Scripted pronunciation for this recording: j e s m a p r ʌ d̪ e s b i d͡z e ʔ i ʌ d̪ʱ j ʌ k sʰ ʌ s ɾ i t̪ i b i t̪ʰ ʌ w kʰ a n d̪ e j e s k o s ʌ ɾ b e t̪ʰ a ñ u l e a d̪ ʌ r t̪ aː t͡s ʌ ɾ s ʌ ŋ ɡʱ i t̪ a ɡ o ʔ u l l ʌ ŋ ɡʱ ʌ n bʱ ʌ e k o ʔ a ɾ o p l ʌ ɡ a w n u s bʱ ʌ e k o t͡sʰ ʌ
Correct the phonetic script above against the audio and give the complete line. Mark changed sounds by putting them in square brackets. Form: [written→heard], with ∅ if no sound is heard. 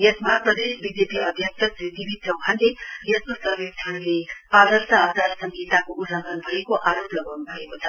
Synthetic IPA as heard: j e s m a p r ʌ d̪ e s b i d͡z e [ʔ→p] i ʌ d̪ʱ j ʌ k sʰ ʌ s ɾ i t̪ i b i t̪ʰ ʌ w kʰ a n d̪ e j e s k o s ʌ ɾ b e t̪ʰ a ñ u l e a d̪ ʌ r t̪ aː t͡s [ʌ→a] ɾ s ʌ ŋ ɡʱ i t̪ a [ɡ→k] o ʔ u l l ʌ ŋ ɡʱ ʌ n bʱ ʌ e k o ʔ a ɾ o p l ʌ ɡ a w n u [s→∅] bʱ ʌ e k o t͡sʰ ʌ